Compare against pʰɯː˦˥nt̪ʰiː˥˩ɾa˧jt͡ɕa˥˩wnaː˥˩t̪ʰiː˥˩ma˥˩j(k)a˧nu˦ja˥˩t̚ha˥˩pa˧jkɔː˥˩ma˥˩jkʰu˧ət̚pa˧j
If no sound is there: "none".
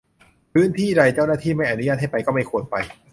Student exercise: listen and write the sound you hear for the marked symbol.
ʔ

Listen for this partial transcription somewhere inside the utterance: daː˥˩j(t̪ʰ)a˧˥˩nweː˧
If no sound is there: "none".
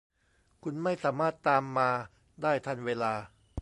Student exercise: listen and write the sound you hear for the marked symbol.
t̪ʰ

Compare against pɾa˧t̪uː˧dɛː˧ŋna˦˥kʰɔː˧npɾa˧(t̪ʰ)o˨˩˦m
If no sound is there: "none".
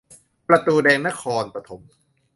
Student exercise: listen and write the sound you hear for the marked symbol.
t̪ʰ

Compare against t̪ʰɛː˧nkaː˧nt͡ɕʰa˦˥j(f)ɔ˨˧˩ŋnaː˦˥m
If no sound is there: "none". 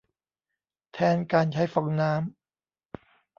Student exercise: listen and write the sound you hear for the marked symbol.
f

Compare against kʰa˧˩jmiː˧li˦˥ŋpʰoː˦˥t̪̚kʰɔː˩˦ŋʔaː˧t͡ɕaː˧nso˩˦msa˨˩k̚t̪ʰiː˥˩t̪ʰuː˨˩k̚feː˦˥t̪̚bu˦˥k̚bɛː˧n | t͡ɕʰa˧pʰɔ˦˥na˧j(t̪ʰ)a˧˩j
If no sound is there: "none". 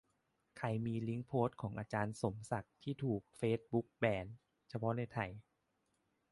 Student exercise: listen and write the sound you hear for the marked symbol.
t̪ʰ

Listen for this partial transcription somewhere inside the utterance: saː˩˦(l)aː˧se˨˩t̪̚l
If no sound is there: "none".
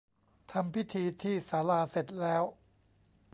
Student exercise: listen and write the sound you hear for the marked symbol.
l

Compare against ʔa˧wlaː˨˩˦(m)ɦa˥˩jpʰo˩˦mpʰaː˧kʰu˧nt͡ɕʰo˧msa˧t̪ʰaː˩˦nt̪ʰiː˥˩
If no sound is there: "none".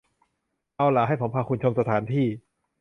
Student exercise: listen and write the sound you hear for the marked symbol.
none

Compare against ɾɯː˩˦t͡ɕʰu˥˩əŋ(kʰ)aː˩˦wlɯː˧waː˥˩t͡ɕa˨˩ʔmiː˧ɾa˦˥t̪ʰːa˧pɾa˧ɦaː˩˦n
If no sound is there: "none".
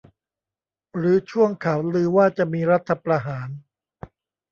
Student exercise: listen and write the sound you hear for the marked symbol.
kʰ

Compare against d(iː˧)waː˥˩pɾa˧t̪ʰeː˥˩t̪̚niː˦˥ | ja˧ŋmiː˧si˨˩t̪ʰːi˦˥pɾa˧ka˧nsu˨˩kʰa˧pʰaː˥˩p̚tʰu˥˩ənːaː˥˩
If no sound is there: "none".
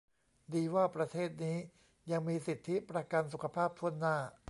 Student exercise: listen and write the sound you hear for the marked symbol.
iː˧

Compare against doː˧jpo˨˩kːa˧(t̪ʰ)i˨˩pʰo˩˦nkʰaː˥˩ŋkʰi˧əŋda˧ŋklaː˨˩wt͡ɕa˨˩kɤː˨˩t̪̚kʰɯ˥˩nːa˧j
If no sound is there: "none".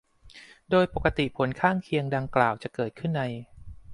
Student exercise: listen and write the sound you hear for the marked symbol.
t̪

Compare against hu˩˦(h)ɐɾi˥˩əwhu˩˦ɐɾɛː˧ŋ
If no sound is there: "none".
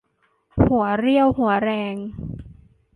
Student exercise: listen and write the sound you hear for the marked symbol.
none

